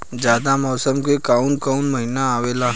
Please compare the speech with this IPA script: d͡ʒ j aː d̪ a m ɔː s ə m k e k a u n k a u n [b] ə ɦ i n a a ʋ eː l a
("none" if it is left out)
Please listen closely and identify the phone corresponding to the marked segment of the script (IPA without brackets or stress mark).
m